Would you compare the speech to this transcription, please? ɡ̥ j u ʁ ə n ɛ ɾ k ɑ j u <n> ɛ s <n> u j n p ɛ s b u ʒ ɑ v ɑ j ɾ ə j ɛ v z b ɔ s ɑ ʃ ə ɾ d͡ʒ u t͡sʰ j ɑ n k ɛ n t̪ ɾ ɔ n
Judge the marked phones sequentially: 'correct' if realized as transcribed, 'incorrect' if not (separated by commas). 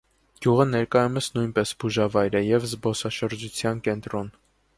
incorrect, correct